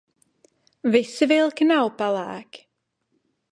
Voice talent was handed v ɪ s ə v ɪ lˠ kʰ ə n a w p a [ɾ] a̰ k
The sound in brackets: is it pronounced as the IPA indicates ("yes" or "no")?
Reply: no